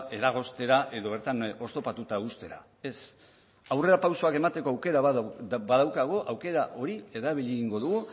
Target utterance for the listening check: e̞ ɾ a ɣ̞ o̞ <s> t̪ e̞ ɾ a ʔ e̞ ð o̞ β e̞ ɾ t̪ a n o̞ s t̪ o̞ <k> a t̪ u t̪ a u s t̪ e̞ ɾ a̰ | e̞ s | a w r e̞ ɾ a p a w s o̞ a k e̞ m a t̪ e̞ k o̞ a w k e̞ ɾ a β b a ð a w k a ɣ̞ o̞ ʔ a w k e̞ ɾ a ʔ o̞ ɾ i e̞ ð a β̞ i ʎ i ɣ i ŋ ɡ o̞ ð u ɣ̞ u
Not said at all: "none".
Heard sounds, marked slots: s, p

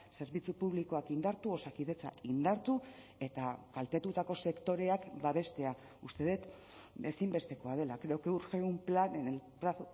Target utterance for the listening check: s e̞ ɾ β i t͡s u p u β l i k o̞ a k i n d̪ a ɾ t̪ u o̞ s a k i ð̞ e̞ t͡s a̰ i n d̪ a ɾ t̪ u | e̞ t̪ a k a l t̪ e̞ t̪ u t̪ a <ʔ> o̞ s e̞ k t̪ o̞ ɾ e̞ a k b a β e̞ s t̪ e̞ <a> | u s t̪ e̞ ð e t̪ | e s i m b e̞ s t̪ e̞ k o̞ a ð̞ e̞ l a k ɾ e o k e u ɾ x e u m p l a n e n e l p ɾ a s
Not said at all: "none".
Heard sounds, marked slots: k, a

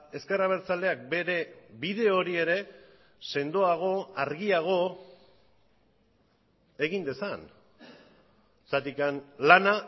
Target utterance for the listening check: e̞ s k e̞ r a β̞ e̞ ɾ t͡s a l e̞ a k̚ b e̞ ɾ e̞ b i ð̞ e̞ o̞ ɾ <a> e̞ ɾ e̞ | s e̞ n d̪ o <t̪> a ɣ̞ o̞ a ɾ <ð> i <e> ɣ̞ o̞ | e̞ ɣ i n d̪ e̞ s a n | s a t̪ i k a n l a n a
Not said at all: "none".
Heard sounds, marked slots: i, none, ɣ, a

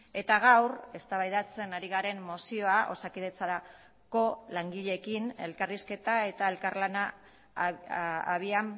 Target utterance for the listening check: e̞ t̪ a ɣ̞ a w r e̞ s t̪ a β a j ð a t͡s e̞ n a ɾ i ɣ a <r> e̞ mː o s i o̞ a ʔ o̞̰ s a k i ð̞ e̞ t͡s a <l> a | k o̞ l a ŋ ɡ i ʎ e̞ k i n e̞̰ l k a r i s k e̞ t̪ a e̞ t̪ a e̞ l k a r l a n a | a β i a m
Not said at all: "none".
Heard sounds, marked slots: ɾ, ɾ

